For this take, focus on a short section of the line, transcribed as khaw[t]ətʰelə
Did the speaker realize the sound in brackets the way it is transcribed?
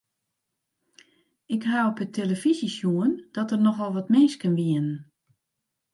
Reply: no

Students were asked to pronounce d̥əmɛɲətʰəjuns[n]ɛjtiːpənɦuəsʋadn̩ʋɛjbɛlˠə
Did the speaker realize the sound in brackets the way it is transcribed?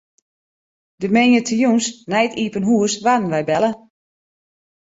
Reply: yes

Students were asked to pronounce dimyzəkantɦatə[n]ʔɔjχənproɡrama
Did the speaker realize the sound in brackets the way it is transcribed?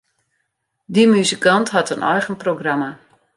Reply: yes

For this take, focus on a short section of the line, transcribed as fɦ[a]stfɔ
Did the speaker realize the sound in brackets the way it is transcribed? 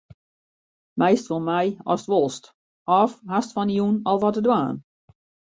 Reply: yes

